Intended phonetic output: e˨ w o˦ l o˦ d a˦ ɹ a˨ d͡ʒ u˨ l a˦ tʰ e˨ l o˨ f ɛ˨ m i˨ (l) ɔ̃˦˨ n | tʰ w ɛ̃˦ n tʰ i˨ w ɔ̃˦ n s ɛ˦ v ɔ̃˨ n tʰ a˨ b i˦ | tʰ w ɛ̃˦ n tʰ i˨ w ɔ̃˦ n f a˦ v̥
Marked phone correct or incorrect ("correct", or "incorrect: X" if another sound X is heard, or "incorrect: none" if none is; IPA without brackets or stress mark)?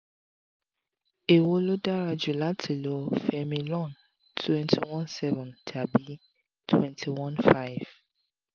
correct